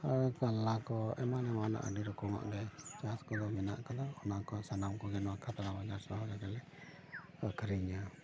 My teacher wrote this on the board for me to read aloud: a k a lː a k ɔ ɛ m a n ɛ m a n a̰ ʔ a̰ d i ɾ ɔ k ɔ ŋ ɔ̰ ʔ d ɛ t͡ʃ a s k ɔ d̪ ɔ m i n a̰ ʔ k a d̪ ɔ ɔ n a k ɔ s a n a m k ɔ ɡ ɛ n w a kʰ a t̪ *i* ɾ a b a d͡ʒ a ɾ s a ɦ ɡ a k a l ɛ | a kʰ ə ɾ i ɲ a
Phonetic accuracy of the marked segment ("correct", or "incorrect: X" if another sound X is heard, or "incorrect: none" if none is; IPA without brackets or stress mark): incorrect: a